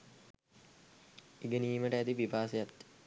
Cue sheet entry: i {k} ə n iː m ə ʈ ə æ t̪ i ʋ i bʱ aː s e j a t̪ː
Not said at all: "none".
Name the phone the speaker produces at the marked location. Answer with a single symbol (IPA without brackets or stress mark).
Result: ɡ